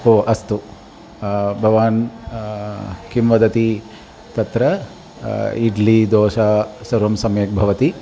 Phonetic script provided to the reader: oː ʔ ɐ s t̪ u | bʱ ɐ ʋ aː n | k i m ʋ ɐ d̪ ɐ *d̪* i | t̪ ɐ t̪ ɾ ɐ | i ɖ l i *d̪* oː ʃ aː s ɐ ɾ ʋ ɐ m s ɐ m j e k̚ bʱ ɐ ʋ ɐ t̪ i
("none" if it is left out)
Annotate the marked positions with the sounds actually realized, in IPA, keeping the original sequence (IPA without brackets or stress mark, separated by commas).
t̪, d̪